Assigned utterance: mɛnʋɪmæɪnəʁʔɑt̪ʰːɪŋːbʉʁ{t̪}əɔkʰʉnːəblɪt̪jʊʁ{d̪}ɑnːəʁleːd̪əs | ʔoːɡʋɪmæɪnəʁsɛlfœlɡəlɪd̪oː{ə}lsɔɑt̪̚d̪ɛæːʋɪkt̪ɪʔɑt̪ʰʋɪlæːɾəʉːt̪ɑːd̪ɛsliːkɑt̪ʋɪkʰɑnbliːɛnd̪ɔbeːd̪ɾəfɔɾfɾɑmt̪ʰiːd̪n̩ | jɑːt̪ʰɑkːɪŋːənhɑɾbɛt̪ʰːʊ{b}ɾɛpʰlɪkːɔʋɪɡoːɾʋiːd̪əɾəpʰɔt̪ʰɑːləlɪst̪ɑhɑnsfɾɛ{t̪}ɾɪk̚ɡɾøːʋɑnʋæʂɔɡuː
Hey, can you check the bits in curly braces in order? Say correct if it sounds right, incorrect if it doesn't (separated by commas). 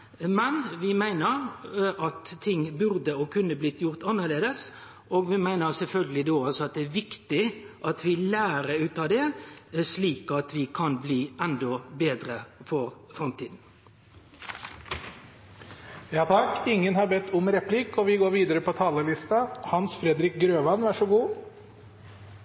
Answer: incorrect, incorrect, incorrect, incorrect, incorrect